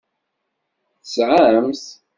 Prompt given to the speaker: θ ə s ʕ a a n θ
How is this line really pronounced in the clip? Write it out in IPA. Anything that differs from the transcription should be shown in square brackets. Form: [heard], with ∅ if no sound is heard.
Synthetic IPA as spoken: θ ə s ʕ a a [m] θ